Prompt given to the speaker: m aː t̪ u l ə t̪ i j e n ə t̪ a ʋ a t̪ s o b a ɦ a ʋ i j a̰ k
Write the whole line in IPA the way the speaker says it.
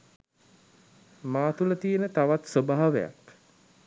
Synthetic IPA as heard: m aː t̪ u l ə t̪ i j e n ə t̪ a ʋ a t̪ s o b a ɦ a ʋ e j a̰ k

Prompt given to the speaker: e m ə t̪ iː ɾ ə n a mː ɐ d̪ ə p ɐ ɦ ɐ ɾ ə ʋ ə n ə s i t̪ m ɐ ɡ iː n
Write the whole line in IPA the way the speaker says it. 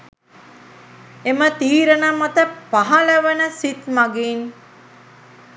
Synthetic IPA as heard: e m ə t̪ iː ɾ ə n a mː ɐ t̪ ə p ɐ ɦ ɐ l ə ʋ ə n ə s i t̪ m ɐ ɡ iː n

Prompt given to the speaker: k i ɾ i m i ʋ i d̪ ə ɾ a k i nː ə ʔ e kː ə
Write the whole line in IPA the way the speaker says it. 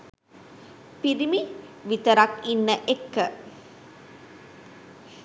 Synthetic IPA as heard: p i ɾ i m i ʋ i t̪ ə ɾ a k i nː ə ʔ e kː ə

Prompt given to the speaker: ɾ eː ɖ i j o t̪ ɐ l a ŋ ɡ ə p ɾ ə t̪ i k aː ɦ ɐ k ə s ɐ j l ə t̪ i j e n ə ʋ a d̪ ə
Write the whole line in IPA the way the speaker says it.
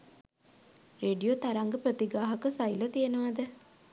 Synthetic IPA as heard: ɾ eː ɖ i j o t̪ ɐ ɾ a ŋ ɡ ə p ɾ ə t̪ i ɡ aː ɦ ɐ k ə s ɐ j l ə t̪ i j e n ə ʋ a d̪ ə

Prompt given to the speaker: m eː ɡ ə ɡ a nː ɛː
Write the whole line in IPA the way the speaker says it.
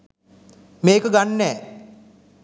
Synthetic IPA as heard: m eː k ə ɡ a nː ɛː

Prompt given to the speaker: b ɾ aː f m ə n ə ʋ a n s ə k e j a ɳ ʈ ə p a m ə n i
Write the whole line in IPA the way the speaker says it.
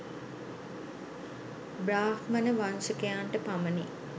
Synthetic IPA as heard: b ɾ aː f m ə n ə ʋ a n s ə k e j a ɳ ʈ ə p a m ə n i

